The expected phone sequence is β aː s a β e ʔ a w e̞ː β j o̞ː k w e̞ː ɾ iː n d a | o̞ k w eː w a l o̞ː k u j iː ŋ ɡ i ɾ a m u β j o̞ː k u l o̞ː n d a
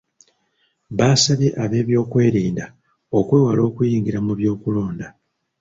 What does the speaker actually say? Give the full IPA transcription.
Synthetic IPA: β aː s a β e ʔ a β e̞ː β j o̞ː k w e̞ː ɾ iː n d a | o̞ k w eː w a l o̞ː k u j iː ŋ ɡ i ɾ a m u β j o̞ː k u l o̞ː n d a